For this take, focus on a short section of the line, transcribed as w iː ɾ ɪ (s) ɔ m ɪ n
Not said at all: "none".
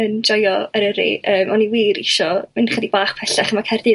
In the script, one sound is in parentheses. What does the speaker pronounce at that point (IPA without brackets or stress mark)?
ʃ